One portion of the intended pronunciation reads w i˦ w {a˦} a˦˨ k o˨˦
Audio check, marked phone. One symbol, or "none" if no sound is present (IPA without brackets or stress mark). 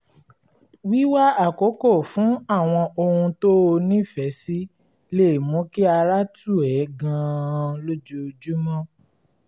a˦